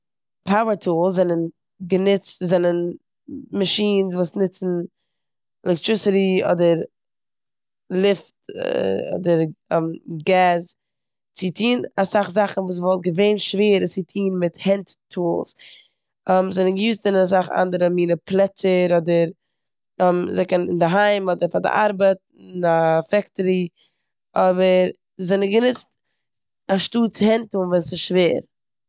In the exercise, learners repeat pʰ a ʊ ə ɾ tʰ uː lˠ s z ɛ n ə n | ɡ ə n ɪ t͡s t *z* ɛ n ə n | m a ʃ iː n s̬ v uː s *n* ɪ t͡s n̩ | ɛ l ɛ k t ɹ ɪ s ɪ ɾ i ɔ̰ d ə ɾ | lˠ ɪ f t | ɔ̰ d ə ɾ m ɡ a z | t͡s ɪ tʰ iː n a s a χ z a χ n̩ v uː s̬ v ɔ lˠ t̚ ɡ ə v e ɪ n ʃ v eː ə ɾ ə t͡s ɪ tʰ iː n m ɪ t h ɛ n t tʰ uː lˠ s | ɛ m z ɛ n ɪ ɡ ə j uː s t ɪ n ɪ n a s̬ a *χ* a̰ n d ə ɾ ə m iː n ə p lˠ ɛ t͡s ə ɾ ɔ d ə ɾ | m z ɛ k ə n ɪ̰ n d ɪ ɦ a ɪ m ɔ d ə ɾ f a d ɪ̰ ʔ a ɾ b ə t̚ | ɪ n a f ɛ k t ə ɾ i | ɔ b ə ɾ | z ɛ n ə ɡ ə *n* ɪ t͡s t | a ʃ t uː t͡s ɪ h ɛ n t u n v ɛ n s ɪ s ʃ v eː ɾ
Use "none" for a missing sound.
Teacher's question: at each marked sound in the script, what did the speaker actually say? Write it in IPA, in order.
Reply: z, n, χ, n

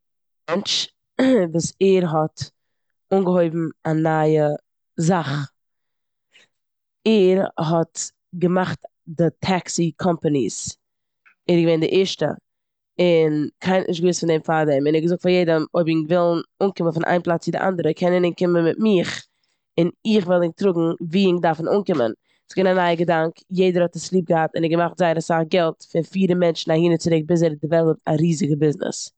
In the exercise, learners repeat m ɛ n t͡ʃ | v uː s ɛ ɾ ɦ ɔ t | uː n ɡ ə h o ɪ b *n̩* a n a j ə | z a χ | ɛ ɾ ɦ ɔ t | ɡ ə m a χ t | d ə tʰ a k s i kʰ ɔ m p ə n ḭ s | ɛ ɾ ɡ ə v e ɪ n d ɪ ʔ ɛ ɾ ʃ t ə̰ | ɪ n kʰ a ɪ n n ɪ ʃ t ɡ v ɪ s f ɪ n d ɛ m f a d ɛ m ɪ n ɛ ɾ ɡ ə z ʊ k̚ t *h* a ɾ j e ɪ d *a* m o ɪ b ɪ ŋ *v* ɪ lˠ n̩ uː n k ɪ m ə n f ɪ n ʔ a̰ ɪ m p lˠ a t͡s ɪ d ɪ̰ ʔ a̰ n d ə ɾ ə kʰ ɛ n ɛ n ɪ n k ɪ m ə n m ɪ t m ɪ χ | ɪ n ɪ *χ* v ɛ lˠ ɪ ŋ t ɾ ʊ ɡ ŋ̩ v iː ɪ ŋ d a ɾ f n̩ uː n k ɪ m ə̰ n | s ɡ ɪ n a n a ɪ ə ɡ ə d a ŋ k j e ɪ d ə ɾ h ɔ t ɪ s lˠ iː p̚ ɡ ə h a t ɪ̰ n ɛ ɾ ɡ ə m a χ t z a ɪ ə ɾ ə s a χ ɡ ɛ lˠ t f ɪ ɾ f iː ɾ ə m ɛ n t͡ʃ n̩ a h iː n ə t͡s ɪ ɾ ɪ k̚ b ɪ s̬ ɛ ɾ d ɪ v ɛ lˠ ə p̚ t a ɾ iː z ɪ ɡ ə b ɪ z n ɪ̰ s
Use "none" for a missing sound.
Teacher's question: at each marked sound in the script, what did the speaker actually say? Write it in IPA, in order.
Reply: m̩, f, ə, v, χ

